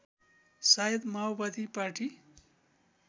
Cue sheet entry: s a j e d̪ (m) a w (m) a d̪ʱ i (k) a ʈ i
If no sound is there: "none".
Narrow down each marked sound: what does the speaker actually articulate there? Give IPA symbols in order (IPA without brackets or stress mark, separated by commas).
m, b, p